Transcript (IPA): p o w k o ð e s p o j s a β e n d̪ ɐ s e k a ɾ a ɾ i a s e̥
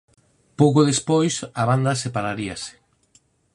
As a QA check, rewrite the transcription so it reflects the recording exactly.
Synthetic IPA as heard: p o w k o ð e s p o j s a β a n d̪ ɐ s e p a ɾ a ɾ i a s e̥